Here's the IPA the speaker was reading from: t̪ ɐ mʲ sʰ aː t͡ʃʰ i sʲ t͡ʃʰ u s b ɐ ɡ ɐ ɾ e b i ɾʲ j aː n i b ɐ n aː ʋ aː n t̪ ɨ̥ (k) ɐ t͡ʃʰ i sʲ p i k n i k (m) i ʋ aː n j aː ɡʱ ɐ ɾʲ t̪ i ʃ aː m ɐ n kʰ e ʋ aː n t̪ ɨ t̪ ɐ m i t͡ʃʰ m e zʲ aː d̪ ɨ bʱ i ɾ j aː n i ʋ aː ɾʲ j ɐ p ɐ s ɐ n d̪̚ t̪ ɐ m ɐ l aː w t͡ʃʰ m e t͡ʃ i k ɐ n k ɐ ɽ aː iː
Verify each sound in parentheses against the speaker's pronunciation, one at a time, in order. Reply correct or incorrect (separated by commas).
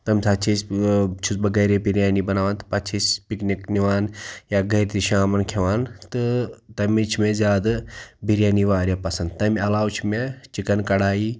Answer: incorrect, incorrect